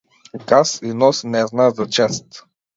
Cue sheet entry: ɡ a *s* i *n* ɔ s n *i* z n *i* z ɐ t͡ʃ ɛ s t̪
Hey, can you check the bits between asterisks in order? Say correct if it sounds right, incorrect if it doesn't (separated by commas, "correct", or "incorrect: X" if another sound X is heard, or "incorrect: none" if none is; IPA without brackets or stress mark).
correct, correct, incorrect: ɛ, incorrect: a